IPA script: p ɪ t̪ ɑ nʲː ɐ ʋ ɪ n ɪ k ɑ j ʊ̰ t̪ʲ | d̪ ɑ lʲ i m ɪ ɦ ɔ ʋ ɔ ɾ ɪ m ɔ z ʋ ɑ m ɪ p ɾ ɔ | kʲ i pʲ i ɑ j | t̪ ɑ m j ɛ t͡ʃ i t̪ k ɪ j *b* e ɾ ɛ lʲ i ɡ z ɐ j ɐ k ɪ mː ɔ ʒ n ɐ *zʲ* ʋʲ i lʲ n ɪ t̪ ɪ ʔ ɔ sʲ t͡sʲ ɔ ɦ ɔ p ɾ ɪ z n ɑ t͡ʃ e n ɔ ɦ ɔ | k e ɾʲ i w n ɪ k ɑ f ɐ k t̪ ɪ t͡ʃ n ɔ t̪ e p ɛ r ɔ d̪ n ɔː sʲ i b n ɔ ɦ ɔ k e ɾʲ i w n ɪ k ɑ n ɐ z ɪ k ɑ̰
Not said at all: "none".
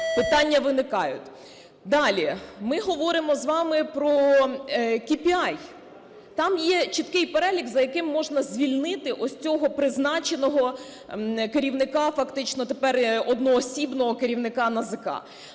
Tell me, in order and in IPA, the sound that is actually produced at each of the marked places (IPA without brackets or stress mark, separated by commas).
p, zʲ